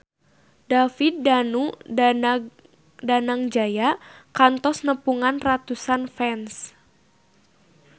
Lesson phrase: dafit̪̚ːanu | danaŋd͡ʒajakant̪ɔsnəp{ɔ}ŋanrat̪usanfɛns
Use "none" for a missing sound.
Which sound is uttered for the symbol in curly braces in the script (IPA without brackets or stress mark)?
u